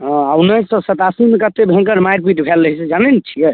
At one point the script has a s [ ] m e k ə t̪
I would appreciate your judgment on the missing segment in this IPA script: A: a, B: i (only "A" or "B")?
B